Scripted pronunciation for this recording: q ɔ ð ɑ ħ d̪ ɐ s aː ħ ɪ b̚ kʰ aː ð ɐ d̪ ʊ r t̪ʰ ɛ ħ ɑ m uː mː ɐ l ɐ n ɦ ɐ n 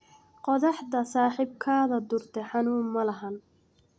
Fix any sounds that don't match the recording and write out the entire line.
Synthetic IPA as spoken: q ɔ ð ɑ ħ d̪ ɐ s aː ħ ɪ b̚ kʰ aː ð ɐ d̪ ʊ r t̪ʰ ɛ ħ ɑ n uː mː ɐ l ɐ ɦ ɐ n